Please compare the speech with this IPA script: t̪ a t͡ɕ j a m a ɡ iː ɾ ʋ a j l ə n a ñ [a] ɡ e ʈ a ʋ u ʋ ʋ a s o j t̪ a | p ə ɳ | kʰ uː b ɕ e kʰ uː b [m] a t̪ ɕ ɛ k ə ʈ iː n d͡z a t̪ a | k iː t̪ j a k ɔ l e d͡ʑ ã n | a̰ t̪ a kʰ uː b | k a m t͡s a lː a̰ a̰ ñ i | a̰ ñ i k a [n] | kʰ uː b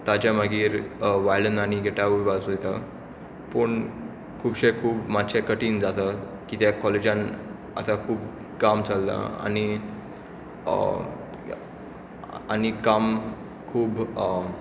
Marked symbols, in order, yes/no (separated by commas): no, yes, no